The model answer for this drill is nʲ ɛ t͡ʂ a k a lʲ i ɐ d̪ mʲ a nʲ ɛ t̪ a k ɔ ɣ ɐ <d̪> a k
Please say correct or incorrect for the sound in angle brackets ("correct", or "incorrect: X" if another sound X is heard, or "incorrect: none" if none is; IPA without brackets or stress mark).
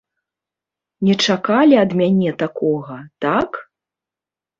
incorrect: t̪